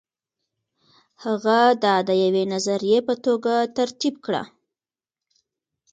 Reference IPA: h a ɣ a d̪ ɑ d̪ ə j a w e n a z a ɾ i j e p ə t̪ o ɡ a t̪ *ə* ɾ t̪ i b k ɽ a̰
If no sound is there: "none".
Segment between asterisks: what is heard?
a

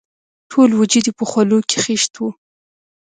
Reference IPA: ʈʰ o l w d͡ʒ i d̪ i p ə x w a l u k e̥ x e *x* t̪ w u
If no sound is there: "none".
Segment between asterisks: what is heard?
ʃ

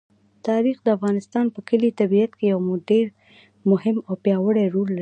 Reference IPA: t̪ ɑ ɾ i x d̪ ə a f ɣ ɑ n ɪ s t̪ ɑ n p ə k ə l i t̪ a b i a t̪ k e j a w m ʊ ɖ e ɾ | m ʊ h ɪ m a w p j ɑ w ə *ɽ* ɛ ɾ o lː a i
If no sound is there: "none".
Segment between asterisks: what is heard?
ɽ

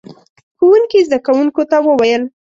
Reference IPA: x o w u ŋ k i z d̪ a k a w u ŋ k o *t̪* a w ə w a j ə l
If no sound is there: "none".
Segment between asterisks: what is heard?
t̪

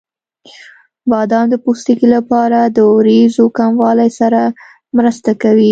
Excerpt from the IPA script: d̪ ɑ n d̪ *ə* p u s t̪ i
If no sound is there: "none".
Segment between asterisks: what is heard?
ə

